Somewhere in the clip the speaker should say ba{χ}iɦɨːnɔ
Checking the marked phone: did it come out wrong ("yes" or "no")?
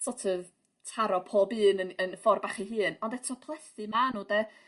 no